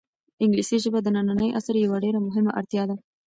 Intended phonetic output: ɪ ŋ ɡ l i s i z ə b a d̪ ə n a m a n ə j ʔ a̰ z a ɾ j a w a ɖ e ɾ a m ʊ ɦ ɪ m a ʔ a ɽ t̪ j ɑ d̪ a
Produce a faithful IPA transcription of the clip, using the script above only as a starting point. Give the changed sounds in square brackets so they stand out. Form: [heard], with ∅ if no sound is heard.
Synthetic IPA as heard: ɪ ŋ ɡ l i s i [ʒ] ə b a d̪ ə n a [n] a n ə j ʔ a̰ [s] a ɾ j a w a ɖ e ɾ a m ʊ ɦ ɪ m a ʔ a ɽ t̪ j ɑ d̪ a